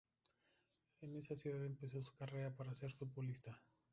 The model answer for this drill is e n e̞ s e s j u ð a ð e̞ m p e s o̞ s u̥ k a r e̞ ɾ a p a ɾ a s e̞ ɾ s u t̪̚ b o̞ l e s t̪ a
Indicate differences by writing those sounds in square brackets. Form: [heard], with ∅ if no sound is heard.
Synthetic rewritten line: e n e̞ s [a] s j u ð a ð e̞ m p e s o̞ s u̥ k a r e̞ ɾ a p a ɾ a s e̞ ɾ [f] u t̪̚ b o̞ l [i] s t̪ a